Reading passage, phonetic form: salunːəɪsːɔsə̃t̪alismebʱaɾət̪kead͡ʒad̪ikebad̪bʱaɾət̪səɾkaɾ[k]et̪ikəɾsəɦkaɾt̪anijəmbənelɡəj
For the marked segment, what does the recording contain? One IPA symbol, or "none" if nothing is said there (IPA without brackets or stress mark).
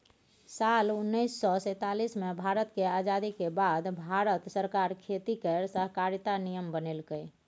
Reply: kʰ